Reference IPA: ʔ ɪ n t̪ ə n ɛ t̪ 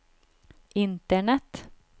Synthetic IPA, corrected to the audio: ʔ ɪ n t̪ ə ɳ ɛ t̪